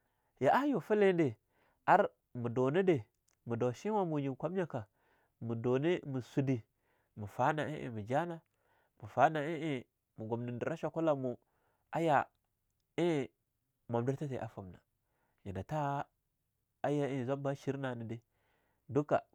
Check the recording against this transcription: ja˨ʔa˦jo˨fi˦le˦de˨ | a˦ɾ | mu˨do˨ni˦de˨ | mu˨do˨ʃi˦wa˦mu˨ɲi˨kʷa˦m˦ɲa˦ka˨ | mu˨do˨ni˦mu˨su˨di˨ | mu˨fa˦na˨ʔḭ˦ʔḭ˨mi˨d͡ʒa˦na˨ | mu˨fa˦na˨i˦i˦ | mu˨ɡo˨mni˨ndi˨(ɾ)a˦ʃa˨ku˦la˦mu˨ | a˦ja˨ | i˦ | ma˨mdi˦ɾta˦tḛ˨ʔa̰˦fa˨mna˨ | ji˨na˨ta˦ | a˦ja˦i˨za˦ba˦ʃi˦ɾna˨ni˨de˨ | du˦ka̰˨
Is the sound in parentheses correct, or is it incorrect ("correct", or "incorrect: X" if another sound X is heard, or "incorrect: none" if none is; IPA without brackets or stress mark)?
correct